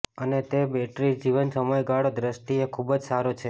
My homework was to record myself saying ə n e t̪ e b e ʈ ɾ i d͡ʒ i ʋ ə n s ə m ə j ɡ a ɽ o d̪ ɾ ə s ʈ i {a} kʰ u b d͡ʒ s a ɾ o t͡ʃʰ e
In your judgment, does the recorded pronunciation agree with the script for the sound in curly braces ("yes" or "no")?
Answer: no